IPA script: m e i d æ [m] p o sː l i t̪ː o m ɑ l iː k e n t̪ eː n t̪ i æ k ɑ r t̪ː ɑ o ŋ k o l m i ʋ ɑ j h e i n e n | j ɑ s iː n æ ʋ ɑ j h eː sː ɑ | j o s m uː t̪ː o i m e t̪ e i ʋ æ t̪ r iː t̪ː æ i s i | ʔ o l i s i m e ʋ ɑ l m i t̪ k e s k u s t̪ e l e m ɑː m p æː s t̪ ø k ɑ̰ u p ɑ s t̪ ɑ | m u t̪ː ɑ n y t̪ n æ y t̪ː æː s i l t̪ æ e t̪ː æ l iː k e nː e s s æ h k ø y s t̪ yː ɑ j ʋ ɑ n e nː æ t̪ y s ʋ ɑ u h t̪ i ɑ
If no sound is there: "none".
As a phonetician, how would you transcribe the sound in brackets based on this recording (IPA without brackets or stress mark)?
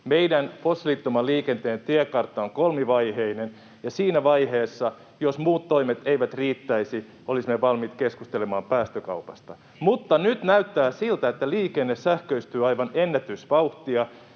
n